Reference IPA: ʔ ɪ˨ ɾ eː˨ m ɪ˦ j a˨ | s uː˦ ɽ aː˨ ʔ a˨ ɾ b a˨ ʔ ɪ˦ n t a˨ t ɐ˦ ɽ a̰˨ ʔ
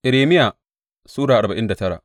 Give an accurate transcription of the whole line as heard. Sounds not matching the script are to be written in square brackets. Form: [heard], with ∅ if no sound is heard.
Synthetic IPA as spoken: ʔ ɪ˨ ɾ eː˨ m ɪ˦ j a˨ | s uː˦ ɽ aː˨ ʔ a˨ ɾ b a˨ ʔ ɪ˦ n [d] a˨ t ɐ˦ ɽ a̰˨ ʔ